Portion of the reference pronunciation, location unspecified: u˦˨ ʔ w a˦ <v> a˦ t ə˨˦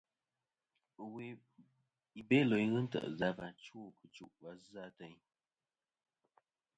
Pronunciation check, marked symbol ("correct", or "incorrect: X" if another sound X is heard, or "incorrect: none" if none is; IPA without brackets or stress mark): incorrect: z